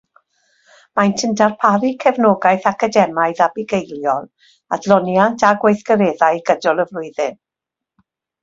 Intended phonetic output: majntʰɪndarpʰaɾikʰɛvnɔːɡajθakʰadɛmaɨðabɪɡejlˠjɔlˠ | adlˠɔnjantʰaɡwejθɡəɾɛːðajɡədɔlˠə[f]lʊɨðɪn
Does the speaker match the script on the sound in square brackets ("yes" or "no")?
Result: no